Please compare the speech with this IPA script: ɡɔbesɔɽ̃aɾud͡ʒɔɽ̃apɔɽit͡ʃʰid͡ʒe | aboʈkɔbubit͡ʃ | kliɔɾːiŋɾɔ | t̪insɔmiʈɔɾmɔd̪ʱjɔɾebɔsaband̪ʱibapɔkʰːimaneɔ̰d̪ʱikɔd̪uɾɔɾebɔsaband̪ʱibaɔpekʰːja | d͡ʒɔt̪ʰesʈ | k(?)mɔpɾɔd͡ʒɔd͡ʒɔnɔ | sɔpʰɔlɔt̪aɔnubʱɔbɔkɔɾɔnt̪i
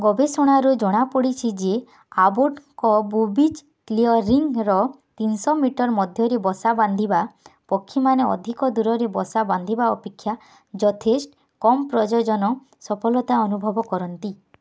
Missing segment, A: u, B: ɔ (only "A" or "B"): B